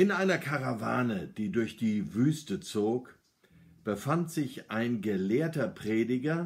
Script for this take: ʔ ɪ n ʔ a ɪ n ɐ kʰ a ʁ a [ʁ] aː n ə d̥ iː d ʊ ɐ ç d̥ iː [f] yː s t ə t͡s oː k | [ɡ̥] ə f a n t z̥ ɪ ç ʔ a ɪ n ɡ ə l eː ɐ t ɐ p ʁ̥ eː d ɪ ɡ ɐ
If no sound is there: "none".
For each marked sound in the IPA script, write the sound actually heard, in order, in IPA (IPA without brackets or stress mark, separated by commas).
v, v, b̥